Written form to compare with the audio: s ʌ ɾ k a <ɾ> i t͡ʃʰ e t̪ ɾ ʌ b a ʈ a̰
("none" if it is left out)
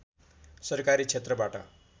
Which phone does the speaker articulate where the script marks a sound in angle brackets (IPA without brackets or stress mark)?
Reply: ɾ